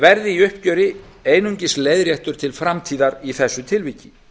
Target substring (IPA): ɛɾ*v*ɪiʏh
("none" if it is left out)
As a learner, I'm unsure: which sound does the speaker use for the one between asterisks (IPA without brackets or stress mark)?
ð